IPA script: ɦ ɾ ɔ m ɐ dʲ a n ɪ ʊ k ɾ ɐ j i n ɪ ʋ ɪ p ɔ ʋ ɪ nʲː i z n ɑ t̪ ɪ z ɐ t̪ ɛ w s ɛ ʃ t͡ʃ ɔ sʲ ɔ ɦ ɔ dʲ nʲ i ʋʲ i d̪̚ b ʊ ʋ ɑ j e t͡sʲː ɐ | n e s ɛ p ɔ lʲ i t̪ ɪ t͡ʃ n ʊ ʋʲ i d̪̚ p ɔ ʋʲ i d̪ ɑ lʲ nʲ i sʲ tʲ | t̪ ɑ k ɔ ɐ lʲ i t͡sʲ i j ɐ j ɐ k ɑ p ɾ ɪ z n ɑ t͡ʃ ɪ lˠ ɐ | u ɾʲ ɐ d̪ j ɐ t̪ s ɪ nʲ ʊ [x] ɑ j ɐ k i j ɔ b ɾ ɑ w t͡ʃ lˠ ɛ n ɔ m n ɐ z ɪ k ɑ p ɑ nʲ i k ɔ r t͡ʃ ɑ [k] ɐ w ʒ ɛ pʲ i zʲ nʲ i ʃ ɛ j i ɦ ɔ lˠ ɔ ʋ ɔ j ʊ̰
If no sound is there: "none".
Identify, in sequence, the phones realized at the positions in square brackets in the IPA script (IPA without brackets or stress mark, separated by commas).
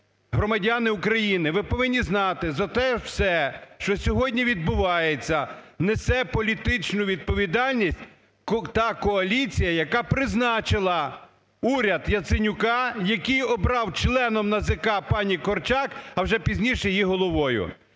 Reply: k, k